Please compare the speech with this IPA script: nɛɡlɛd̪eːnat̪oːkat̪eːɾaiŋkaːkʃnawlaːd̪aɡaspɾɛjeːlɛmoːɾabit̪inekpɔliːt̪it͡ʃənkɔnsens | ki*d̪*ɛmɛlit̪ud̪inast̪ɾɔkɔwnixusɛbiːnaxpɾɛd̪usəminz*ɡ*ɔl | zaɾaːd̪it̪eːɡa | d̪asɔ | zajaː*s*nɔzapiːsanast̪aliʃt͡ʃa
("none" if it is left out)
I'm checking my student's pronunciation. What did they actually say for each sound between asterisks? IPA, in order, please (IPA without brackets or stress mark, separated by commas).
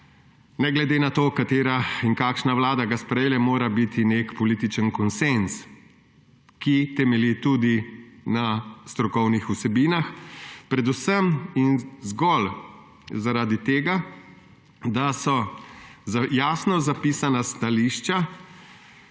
t̪, ɡ, s